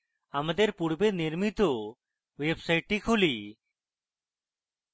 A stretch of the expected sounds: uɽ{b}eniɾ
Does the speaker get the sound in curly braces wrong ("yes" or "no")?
no